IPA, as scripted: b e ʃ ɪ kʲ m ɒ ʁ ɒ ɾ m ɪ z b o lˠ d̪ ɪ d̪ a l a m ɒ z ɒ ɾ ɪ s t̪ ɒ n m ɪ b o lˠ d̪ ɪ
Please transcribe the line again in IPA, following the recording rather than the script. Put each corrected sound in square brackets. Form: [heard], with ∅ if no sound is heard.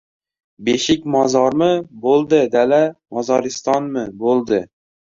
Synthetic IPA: b e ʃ ɪ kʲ m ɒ [z] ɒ ɾ m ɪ [∅] b o lˠ d̪ ɪ d̪ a l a m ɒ z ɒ ɾ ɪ s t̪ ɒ n m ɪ b o lˠ d̪ ɪ